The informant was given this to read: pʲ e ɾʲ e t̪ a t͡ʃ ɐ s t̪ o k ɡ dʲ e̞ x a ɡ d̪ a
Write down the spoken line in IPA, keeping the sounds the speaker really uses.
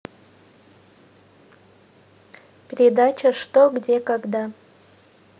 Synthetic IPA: pʲ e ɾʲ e d̪ a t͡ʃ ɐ ʂ t̪ o ɡ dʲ e̞ k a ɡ d̪ a